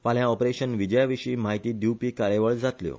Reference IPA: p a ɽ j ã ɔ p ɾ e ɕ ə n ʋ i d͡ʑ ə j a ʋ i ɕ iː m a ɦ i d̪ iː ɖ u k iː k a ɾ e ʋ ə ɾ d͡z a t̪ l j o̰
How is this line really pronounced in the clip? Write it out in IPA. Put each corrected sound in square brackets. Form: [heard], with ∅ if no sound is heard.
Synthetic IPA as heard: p a [l] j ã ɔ p ɾ e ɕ ə n ʋ i d͡ʑ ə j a ʋ i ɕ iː m a ɦ i [t̪] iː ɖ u [p] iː k a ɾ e ʋ ə [ɭ] d͡z a t̪ l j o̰